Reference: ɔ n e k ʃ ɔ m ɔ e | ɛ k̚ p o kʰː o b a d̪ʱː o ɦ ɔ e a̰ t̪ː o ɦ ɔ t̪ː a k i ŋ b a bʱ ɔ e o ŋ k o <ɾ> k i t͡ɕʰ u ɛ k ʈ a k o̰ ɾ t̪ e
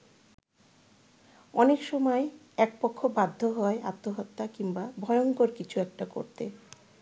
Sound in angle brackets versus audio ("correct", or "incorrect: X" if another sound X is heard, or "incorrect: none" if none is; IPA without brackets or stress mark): correct